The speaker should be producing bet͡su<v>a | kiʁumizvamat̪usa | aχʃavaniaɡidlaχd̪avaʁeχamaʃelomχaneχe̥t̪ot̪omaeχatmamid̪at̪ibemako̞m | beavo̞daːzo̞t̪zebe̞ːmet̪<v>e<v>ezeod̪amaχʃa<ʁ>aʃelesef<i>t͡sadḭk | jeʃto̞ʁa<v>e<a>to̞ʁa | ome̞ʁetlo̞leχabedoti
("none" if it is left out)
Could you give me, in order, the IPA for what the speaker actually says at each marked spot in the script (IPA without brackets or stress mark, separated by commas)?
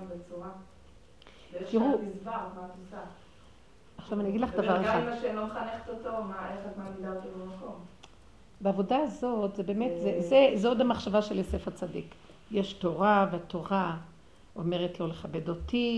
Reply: ʁ, z, z, v, a, v, a